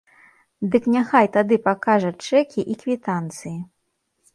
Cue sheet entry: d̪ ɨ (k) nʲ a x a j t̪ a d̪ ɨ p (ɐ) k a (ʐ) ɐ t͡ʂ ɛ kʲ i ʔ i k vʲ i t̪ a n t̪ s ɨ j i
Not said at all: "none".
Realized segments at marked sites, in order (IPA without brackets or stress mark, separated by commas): k, a, ʐ